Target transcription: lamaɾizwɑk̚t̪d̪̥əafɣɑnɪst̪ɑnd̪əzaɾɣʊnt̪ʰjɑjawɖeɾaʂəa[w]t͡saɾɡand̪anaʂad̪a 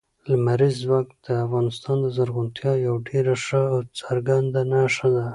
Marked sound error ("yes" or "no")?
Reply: no